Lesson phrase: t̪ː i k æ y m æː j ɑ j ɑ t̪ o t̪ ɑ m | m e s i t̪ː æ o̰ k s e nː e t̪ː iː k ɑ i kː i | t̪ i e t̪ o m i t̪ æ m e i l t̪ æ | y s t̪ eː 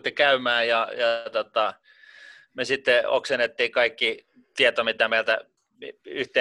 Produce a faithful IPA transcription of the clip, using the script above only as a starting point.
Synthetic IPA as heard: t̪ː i k æ y m æː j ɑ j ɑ t̪ o t̪ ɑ | m e s i t̪ː e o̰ k s e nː e t̪ː iː k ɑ i kː i | t̪ i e t̪ o m i t̪ æ m e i l t̪ æ | y h t̪ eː